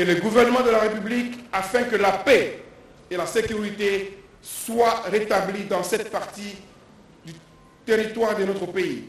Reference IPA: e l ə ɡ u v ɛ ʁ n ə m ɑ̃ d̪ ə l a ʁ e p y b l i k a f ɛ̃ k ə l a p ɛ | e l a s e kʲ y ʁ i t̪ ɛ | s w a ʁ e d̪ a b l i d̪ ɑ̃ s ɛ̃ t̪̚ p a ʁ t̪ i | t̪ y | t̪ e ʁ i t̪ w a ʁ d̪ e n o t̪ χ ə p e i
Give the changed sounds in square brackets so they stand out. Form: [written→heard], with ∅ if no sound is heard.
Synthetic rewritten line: e l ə ɡ u v ɛ ʁ n ə m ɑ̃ d̪ ə l a ʁ e p y b l i k a f ɛ̃ k ə l a p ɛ | e l a s e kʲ y ʁ i t̪ [ɛ→e] | s w a ʁ e [d̪→t̪] a b l i d̪ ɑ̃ s [ɛ̃→ɛ] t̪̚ p a ʁ t̪ i | [t̪→d̪] y | t̪ e ʁ i t̪ w a ʁ d̪ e n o t̪ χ ə p e i